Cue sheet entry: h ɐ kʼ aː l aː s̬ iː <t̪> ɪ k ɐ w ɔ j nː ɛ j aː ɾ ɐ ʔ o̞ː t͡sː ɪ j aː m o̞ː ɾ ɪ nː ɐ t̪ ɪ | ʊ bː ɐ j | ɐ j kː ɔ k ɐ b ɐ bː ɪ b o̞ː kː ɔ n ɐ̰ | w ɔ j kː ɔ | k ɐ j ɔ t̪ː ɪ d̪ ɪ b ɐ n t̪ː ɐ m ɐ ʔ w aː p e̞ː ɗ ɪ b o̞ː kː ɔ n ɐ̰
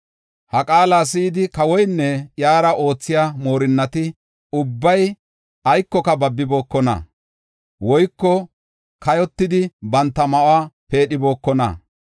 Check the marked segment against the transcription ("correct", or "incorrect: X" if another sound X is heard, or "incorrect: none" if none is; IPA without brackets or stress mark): incorrect: d̪